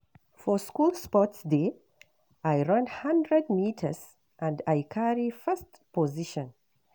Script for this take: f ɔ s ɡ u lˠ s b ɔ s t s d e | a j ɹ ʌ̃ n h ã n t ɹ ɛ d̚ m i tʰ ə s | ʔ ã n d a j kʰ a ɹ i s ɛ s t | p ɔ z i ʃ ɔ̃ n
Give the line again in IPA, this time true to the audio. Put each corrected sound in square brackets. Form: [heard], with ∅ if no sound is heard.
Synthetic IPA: f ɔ s [k] u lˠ s [p] ɔ [∅] t s d e | a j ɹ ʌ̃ n h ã n [d] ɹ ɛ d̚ m i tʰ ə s | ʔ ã n d a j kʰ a ɹ i [f] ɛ s t | p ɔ z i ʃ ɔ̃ n